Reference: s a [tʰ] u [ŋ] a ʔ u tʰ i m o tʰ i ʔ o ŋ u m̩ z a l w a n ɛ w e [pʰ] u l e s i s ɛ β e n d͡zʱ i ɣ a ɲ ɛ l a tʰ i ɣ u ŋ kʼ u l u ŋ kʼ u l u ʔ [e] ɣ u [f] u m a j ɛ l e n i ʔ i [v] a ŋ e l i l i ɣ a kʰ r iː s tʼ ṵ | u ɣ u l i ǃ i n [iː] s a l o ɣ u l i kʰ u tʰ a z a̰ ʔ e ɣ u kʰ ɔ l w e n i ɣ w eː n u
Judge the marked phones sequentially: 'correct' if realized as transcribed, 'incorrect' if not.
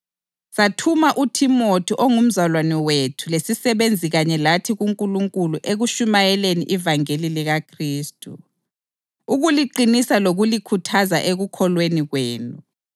correct, incorrect: m, incorrect: tʰ, correct, incorrect: ʃ, correct, incorrect: i

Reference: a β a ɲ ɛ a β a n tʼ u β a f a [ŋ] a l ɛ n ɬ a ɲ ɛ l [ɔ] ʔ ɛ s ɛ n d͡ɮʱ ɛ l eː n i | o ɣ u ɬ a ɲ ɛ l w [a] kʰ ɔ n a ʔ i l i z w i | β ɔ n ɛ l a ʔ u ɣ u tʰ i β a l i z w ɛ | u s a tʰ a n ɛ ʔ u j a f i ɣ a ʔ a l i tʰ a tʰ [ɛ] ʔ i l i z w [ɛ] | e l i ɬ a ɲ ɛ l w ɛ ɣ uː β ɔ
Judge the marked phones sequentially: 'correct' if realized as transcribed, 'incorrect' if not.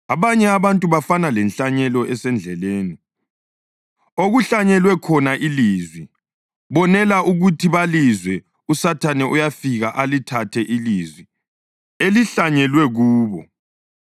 incorrect: n, correct, incorrect: ɛ, correct, incorrect: i

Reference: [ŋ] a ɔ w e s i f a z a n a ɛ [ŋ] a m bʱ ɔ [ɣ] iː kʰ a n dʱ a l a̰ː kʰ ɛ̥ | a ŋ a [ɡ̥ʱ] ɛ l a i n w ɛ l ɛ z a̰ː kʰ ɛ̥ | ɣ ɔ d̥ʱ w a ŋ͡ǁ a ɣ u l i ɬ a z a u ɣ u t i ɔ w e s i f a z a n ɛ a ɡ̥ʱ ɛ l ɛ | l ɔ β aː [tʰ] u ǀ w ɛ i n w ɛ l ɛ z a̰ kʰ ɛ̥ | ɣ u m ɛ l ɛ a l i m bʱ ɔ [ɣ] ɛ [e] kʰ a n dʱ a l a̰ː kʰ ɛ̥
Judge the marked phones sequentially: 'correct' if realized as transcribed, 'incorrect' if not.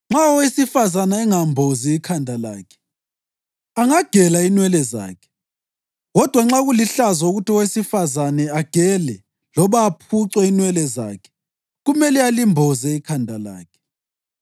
incorrect: ŋ͡ǁ, correct, incorrect: z, correct, incorrect: pʰ, incorrect: z, incorrect: i

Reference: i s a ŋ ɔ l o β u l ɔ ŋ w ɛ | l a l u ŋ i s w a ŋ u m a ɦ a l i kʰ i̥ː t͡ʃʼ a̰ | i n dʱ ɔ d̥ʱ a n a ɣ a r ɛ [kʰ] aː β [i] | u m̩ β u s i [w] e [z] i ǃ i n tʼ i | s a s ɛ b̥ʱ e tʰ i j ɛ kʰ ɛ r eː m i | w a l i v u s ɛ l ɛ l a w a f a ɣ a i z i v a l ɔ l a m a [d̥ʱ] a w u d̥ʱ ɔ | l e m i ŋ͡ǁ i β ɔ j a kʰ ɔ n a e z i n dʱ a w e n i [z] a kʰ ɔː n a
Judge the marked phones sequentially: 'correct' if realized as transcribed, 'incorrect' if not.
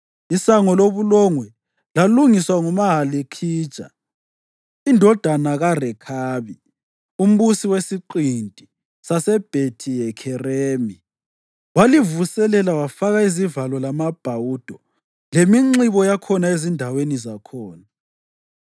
correct, correct, correct, incorrect: s, incorrect: b̥ʱ, correct

